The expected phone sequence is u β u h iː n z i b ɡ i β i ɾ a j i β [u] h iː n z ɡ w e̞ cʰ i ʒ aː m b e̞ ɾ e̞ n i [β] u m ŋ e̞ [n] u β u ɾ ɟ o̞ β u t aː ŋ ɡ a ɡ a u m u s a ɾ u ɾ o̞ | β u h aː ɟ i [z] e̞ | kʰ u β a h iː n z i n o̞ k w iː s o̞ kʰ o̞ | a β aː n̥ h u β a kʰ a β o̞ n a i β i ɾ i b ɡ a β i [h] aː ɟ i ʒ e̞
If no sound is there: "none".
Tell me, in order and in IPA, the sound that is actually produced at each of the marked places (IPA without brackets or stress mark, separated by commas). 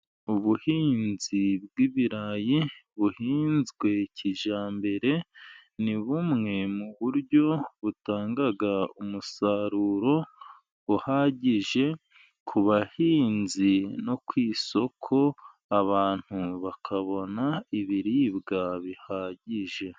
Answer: u, β, m, ʒ, h